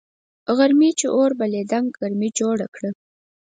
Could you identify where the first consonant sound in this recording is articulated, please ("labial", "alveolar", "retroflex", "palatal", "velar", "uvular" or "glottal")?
velar